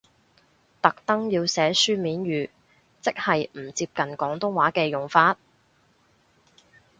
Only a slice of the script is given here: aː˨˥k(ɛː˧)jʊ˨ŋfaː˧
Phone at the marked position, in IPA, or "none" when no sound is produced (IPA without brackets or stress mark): ɛː˧